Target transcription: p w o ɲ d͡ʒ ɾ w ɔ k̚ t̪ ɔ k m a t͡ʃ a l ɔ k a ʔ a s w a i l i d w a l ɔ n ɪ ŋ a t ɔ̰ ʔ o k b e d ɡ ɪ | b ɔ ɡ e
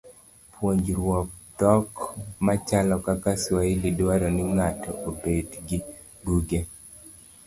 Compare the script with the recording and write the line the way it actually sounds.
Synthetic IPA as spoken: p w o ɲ d͡ʒ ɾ w ɔ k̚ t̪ ɔ k m a t͡ʃ a l ɔ k a k a s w a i l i d w a ɾ ɔ n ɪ ŋ a t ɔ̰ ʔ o b e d ɡ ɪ | b u ɡ e